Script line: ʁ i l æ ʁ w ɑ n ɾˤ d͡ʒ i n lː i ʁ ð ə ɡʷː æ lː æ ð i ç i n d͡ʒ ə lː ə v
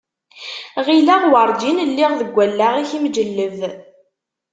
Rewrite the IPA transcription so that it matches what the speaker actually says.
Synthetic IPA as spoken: ʁ i l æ ʁ w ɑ ɾˤ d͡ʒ i n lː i ʁ ð ə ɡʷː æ lː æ ʁ i ç i m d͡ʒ ə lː ə v